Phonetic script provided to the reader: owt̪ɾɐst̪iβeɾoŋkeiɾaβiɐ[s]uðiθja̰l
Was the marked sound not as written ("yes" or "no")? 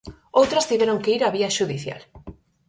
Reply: yes